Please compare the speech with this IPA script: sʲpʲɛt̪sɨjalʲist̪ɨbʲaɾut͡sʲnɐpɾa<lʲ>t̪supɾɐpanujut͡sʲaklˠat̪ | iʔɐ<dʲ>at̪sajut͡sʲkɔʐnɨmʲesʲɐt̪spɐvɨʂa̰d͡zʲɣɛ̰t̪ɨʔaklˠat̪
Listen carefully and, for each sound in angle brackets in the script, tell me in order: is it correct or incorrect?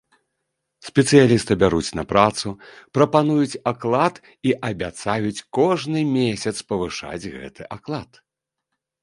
incorrect: none, incorrect: bʲ

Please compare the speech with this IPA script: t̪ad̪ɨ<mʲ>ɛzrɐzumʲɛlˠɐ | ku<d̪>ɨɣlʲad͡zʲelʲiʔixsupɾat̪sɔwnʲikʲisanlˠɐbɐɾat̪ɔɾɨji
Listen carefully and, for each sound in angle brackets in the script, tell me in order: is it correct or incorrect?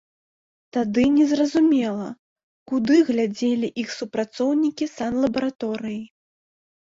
incorrect: nʲ, correct

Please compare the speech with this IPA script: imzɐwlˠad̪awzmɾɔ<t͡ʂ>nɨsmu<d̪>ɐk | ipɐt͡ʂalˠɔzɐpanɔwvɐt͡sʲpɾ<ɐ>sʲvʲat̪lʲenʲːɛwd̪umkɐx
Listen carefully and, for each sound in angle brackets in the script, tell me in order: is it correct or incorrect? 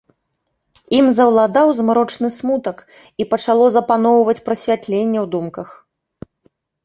correct, incorrect: t̪, correct

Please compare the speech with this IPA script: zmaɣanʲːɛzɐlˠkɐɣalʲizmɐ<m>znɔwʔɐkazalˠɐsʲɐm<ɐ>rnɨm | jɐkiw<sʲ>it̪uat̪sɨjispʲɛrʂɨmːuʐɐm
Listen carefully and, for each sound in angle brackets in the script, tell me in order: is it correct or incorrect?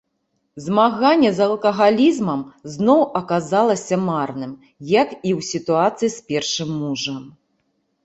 correct, incorrect: a, correct

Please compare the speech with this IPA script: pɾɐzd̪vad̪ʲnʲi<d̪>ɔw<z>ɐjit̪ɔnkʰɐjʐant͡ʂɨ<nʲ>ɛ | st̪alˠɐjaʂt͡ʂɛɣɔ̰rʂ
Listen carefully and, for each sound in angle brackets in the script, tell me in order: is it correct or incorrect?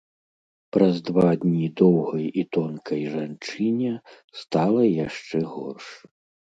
correct, incorrect: ɣ, correct

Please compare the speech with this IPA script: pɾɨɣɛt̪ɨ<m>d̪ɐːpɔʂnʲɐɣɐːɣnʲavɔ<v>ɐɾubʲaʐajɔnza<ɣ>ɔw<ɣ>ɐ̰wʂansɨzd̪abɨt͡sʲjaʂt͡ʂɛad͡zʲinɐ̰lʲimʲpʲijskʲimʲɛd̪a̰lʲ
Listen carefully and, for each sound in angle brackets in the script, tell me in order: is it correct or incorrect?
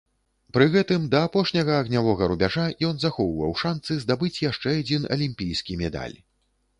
correct, incorrect: ɣ, incorrect: x, incorrect: v

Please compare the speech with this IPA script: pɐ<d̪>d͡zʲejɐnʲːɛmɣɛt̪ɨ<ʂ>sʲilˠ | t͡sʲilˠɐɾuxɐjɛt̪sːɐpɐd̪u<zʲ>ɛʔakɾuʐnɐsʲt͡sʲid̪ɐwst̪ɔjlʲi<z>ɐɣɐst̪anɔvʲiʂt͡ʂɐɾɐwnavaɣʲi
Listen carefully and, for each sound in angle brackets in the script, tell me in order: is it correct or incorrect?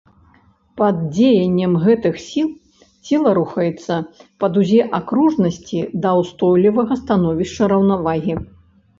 correct, incorrect: x, correct, incorrect: v

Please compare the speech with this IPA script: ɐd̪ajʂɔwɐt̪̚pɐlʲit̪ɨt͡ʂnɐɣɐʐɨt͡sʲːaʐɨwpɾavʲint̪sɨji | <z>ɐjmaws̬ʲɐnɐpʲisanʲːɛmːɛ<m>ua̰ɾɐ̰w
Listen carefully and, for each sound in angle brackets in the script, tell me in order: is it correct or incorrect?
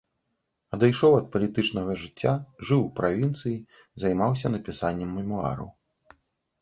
correct, correct

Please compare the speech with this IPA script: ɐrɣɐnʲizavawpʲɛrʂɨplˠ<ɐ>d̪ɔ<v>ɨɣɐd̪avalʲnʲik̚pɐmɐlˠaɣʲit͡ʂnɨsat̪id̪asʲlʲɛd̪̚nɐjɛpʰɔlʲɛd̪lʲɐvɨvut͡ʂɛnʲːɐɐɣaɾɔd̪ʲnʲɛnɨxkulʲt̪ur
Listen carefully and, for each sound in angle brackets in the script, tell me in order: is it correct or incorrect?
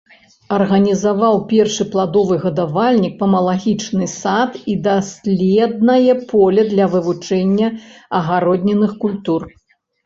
incorrect: a, correct

